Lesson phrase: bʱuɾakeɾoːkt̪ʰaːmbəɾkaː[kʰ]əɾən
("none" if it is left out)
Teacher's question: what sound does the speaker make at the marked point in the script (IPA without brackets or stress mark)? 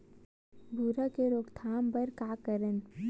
k